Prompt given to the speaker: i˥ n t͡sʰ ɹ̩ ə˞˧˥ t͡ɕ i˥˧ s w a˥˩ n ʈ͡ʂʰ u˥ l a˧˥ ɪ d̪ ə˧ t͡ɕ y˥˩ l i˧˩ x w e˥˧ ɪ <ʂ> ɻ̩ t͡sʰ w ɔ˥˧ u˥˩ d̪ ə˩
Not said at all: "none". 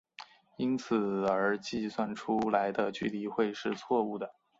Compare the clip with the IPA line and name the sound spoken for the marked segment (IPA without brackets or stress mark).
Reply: ʂ